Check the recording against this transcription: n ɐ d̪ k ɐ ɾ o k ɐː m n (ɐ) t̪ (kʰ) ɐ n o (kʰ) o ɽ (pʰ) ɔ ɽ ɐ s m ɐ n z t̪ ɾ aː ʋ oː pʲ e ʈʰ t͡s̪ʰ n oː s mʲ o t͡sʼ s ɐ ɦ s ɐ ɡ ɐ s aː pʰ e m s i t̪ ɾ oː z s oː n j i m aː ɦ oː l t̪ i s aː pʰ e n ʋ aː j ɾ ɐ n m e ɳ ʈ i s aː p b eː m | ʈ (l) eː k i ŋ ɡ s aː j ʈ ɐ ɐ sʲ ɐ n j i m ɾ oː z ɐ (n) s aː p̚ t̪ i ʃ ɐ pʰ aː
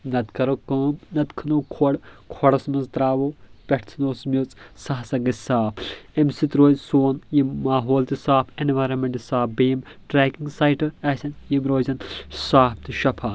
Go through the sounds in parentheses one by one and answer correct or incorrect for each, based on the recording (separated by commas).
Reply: correct, correct, correct, incorrect, incorrect, correct